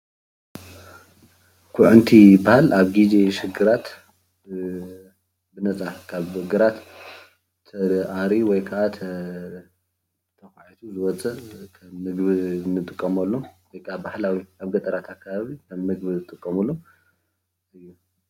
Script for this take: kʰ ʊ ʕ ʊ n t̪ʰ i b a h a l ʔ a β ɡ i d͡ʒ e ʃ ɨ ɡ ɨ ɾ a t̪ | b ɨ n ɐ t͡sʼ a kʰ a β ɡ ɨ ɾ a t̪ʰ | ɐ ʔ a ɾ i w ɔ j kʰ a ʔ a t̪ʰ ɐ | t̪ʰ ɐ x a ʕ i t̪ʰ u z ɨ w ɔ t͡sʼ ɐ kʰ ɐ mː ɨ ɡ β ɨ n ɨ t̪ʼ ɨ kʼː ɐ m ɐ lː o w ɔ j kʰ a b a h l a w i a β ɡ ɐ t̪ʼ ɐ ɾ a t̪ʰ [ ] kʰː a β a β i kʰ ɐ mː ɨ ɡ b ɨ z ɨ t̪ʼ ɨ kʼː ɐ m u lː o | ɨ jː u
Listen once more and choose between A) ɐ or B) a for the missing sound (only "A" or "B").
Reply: B